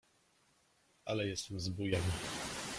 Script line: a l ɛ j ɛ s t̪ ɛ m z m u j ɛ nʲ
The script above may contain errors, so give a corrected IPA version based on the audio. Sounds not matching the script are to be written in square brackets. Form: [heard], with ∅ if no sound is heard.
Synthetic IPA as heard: a l ɛ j ɛ s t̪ ɛ m z [b] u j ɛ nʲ